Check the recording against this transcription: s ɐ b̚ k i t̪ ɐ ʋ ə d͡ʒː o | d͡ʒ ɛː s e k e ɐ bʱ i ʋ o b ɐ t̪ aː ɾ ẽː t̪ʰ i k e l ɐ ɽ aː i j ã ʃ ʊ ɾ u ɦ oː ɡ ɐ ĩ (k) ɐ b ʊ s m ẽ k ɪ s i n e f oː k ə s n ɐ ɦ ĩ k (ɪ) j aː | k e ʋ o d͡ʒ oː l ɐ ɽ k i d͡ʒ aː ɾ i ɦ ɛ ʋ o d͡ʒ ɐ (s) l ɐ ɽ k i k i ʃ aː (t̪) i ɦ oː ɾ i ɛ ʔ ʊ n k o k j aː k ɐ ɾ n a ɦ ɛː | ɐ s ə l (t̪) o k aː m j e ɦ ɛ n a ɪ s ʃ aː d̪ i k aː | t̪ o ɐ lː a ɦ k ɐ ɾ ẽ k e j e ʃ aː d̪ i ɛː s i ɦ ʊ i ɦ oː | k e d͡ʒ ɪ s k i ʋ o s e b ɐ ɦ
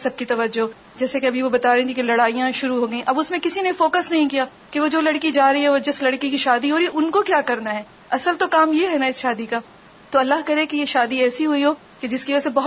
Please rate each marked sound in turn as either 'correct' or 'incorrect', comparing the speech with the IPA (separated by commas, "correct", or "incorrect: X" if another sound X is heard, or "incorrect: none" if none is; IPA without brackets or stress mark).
incorrect: ʔ, incorrect: i, correct, incorrect: d̪, correct